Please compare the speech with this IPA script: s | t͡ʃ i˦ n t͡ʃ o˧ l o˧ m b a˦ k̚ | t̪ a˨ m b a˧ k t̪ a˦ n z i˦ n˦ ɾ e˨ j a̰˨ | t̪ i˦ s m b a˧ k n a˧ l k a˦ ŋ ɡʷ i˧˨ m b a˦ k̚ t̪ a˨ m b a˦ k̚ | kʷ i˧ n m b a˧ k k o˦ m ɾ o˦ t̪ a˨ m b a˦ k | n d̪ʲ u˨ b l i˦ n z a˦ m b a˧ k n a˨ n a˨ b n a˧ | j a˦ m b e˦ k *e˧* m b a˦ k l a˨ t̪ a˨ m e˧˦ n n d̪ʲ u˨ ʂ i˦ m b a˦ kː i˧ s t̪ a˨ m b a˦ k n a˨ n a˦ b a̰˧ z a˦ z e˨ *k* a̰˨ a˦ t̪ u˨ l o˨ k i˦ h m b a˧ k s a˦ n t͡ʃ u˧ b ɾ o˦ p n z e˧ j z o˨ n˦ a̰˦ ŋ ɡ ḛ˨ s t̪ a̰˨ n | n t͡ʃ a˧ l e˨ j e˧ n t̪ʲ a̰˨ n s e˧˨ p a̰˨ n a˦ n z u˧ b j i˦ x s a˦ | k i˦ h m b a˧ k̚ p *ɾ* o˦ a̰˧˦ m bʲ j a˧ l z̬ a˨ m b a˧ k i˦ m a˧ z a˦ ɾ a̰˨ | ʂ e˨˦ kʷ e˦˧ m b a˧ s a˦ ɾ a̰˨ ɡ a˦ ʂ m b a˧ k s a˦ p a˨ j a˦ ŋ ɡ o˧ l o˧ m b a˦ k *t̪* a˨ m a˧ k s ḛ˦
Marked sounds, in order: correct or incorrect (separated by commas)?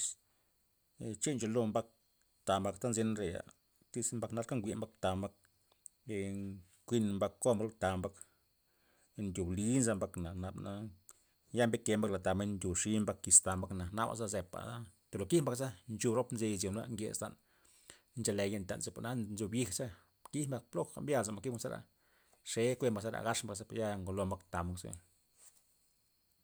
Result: correct, incorrect, incorrect, correct